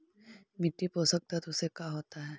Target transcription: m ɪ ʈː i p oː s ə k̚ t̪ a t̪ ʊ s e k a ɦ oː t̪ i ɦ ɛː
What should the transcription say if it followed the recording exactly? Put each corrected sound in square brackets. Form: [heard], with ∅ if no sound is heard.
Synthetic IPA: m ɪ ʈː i p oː s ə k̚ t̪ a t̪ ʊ s e k a ɦ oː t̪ [a] ɦ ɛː